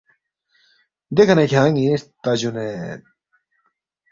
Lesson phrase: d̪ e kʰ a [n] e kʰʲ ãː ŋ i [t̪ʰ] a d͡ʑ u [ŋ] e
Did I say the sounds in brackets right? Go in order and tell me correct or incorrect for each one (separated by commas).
correct, incorrect, incorrect